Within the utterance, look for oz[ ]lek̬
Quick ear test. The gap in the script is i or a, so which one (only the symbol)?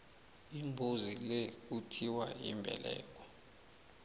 i